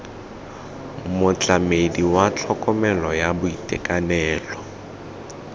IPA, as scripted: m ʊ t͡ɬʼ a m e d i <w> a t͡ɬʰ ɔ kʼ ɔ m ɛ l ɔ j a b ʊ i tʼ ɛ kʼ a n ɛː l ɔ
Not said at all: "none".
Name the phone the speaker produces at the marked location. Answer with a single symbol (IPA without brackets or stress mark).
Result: w